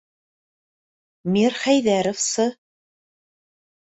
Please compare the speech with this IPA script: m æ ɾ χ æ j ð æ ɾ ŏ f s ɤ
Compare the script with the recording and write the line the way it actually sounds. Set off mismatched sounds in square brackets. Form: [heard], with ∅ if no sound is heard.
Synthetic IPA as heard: m [i] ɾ χ æ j ð æ ɾ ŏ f s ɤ